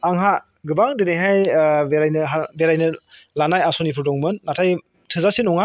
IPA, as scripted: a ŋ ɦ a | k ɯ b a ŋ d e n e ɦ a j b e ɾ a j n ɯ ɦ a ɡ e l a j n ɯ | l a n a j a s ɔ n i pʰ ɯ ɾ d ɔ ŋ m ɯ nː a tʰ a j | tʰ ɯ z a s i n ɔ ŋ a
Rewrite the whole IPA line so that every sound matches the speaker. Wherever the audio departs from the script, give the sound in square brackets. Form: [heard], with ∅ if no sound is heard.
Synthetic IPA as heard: a ŋ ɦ a | [ɡ] ɯ b a ŋ d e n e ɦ a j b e ɾ a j n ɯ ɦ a [b] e [ɾ] a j n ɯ | l a n a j a s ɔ n i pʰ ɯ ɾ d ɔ ŋ m ɯ nː a tʰ a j | tʰ ɯ z a s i n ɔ ŋ a